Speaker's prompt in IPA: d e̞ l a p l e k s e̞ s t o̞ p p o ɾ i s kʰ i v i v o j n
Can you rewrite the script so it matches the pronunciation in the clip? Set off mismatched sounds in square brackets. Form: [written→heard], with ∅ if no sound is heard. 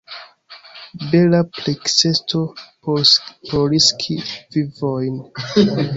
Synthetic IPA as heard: [d→b] e̞ l a p l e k s e̞ s t o̞ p p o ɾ i s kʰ i v i v o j n